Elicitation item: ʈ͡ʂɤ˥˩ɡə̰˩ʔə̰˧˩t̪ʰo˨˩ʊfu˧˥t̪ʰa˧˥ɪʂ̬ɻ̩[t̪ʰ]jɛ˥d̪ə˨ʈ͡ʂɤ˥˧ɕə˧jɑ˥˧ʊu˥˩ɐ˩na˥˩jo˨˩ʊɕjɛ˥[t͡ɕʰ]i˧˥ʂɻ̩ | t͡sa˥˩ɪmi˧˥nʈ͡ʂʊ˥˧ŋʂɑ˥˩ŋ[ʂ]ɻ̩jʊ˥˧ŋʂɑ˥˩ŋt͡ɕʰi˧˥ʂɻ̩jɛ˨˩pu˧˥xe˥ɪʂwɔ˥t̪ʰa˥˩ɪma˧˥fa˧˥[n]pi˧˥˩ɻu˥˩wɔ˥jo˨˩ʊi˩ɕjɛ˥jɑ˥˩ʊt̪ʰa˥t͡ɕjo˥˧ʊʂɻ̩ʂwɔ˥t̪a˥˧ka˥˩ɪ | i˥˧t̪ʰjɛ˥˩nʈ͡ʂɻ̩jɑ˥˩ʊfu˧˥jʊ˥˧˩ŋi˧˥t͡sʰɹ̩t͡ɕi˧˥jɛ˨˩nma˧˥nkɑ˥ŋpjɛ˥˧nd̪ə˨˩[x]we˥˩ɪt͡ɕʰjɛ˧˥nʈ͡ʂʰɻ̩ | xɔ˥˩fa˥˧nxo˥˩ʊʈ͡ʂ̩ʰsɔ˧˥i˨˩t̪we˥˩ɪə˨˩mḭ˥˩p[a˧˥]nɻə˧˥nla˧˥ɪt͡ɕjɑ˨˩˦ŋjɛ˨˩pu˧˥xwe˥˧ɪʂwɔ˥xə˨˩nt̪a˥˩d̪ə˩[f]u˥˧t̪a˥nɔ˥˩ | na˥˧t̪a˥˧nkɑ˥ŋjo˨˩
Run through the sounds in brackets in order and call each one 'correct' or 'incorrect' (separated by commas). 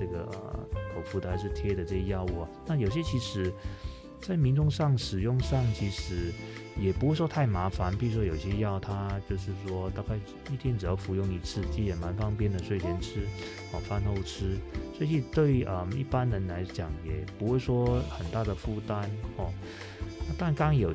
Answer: correct, correct, correct, correct, incorrect, incorrect, correct